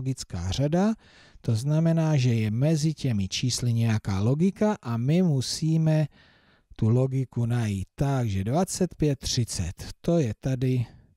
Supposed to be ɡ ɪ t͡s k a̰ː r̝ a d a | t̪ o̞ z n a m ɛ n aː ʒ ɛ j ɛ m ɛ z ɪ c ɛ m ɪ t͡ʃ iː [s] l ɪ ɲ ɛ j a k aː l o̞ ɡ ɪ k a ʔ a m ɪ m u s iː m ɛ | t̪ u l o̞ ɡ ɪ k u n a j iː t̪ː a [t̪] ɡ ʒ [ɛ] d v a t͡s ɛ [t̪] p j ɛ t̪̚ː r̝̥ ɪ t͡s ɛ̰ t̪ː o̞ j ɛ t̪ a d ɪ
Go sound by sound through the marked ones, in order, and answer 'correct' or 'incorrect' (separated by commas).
correct, incorrect, correct, correct